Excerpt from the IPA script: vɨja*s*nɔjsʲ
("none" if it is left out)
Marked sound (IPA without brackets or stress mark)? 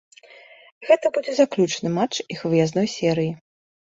z